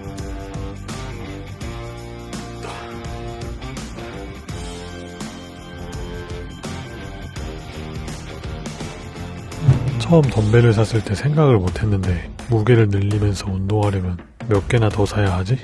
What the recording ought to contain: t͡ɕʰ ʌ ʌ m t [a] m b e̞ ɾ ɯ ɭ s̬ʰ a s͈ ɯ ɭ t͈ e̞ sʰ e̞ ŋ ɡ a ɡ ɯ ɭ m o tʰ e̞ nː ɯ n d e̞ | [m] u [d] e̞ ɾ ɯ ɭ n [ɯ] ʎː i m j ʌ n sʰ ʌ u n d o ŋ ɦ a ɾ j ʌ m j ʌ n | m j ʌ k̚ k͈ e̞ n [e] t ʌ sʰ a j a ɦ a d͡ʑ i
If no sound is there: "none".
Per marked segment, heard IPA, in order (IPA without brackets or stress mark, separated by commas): ʌ, m, ɡ, ɯ, a